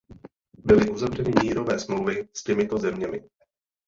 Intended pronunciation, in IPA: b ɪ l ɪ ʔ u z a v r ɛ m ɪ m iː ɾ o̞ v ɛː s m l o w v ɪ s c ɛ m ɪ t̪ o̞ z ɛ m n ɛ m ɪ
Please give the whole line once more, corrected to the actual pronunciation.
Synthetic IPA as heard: b ɪ l ɪ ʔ u z a v r ɛ n ɪ m iː ɾ o̞ v ɛː s m l o w v ɪ s c ɛ m ɪ t̪ o̞ z ɛ m ɲ ɛ m ɪ